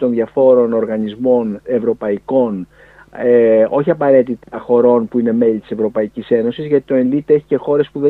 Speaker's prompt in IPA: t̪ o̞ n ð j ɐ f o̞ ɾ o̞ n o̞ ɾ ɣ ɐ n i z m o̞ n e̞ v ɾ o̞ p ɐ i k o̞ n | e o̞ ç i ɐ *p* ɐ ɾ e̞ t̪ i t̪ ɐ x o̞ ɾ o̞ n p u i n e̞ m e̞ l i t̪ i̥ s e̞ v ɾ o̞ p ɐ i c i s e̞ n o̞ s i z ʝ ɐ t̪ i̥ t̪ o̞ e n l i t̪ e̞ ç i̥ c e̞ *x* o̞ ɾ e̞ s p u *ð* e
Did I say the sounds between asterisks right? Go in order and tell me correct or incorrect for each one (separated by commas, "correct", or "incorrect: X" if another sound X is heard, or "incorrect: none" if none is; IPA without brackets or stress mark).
correct, correct, correct